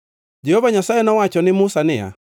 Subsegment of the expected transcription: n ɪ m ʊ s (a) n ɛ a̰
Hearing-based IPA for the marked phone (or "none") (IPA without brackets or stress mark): a